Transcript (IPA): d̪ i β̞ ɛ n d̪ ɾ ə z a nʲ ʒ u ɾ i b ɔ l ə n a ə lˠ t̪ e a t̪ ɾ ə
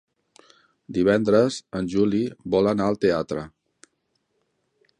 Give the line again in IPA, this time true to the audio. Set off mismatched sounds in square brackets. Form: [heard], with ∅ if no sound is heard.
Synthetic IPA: d̪ i β̞ ɛ n d̪ ɾ ə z [ə] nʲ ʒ u [l] i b ɔ l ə n a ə lˠ t̪ e a t̪ ɾ ə